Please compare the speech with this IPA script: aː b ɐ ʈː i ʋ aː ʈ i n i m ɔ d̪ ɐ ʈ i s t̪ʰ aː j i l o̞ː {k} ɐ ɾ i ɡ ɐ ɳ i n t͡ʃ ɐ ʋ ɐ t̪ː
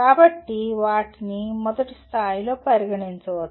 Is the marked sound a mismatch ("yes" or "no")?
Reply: yes